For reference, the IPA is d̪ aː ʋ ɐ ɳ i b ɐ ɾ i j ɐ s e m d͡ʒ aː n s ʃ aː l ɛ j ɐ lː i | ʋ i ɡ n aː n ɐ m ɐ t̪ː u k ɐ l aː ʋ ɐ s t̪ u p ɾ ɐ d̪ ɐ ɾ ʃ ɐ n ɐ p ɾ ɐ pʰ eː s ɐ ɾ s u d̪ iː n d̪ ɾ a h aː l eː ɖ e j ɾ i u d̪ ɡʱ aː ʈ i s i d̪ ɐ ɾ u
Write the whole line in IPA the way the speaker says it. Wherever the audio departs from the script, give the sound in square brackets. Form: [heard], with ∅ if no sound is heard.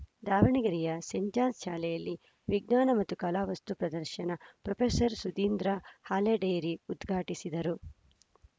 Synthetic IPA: d̪ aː ʋ ɐ ɳ i [ɡ] ɐ ɾ i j ɐ s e [ɲ] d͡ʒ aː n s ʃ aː l ɛ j ɐ lː i | ʋ i ɡ n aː n ɐ m ɐ t̪ː u k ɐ l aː ʋ ɐ s t̪ u p ɾ ɐ d̪ ɐ ɾ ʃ ɐ n ɐ p ɾ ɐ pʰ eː s ɐ ɾ s u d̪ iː n d̪ ɾ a h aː l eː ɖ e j ɾ i u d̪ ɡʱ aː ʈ i s i d̪ ɐ ɾ u